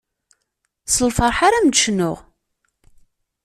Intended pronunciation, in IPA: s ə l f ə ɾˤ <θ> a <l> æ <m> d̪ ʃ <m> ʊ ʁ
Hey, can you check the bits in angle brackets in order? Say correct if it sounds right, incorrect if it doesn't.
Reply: incorrect, incorrect, correct, incorrect

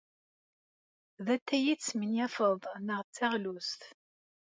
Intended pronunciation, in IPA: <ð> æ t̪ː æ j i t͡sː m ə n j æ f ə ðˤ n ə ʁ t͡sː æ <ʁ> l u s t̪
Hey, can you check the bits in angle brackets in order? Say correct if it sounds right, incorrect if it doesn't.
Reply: correct, correct

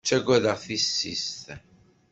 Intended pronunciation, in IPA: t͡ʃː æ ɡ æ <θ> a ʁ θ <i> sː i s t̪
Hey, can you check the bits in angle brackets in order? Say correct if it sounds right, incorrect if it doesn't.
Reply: incorrect, correct

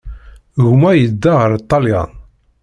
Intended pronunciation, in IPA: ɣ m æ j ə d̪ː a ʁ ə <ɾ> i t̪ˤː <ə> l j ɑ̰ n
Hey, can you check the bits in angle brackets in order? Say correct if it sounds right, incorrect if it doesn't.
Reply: correct, incorrect

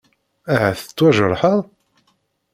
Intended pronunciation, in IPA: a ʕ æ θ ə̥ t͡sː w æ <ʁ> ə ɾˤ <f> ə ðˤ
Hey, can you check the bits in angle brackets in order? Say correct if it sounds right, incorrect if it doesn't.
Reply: incorrect, incorrect

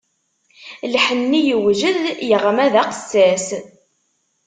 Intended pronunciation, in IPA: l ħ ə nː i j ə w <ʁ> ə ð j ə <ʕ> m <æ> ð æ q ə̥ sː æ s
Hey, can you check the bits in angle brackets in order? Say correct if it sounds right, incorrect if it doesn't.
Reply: incorrect, incorrect, correct

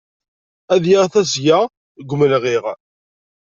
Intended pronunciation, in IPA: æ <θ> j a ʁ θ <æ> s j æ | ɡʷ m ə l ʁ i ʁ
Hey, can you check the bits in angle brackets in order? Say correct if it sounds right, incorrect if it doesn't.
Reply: incorrect, correct

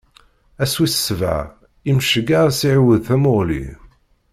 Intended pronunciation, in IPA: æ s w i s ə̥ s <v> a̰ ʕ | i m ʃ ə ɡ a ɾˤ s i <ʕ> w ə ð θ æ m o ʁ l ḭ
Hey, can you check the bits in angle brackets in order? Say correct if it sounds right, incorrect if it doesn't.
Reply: correct, correct

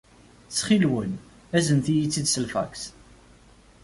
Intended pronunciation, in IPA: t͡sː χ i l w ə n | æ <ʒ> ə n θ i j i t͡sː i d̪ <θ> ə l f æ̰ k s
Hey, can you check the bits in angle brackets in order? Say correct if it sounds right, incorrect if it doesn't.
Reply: incorrect, incorrect

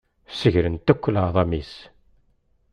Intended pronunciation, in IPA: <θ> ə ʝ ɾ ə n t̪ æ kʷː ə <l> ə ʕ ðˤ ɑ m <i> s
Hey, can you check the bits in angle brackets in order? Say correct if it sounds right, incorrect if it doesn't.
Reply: incorrect, correct, correct

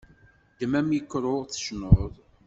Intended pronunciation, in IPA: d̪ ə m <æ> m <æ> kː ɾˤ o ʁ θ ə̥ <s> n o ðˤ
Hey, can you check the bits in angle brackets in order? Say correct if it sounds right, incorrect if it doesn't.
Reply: correct, incorrect, incorrect

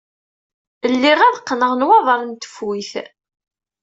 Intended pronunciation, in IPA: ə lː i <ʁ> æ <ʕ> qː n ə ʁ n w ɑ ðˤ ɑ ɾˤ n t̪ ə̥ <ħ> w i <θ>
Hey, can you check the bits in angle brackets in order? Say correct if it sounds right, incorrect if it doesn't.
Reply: correct, incorrect, incorrect, correct

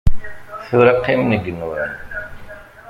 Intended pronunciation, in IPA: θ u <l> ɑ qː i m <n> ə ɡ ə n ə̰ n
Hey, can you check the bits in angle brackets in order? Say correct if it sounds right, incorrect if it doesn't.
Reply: incorrect, correct

